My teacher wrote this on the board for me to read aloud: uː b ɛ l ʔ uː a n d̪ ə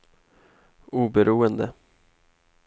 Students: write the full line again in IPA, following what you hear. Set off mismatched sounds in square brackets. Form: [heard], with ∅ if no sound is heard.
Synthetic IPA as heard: uː b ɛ [ɾ] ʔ uː [ə] n d̪ ə